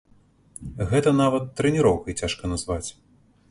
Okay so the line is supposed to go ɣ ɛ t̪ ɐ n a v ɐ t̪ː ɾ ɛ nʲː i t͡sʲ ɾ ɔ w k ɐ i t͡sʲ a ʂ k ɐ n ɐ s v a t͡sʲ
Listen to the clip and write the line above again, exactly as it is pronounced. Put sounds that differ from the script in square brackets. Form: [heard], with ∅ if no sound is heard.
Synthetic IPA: ɣ ɛ t̪ ɐ n a v ɐ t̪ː ɾ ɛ [nʲ] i [∅] ɾ ɔ w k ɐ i t͡sʲ a ʂ k ɐ n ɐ [z] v a t͡sʲ